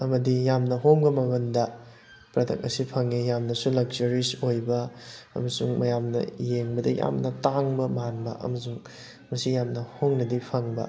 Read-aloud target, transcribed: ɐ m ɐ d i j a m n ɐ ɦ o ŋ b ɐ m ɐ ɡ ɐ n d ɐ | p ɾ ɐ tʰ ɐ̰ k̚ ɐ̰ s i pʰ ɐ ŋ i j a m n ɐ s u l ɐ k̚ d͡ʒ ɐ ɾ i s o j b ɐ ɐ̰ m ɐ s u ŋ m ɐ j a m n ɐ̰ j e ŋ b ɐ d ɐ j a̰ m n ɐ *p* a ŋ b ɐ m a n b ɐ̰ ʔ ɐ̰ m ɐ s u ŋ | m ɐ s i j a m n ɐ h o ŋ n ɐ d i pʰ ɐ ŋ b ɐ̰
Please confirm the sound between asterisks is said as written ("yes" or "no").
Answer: no